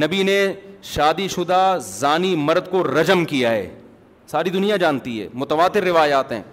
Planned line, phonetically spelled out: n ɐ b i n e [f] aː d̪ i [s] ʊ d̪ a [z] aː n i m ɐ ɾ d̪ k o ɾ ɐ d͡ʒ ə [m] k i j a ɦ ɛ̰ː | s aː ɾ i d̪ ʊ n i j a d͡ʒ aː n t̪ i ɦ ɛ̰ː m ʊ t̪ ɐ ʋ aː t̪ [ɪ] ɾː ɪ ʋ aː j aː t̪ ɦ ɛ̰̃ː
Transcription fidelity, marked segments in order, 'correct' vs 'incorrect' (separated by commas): incorrect, incorrect, correct, correct, correct